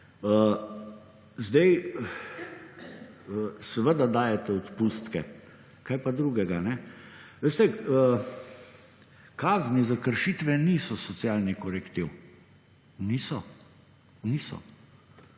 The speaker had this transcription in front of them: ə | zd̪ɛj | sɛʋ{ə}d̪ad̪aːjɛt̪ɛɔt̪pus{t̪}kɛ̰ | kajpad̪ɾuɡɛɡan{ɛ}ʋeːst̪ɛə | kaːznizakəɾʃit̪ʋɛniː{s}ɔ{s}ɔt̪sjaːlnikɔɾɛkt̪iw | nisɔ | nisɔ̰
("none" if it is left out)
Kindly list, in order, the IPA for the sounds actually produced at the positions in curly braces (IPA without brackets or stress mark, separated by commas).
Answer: ə, t̪, ɛ, s, s